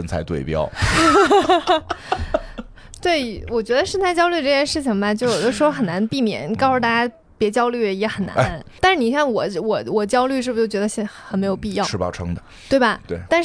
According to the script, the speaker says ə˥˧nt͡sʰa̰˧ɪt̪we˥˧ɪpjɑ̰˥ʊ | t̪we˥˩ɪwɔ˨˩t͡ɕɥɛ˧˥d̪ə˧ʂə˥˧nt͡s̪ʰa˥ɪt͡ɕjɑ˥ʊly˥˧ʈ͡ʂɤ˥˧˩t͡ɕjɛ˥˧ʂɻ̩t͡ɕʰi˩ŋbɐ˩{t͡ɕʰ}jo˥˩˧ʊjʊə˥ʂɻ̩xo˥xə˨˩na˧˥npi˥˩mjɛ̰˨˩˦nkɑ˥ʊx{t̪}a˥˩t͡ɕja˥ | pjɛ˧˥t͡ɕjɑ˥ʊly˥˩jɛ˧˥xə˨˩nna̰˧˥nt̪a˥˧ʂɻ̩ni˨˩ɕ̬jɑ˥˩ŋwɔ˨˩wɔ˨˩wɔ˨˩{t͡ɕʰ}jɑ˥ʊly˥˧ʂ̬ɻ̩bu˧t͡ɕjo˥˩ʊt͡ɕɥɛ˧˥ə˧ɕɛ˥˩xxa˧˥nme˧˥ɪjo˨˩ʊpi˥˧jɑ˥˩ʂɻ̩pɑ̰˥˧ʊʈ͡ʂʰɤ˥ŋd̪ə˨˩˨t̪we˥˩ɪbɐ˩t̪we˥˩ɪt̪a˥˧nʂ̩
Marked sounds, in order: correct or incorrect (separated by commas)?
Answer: incorrect, correct, incorrect